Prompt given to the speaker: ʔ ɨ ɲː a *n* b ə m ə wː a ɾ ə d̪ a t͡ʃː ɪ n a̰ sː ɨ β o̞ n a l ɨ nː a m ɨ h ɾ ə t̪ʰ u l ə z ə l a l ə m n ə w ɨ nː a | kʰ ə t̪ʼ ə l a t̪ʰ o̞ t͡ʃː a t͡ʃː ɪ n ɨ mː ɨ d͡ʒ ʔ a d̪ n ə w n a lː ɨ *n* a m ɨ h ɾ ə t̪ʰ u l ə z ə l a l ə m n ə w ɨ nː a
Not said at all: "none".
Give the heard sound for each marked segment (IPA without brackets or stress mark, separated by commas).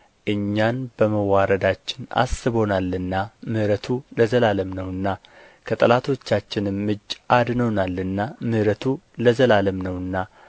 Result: n, nː